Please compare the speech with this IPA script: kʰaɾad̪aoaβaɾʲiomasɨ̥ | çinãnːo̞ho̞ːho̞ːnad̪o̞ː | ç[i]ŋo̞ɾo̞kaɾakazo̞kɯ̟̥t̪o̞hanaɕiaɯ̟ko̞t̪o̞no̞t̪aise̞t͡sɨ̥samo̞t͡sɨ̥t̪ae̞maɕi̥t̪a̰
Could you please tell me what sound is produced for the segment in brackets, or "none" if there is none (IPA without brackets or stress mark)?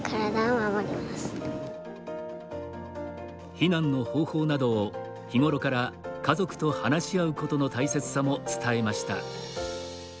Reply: i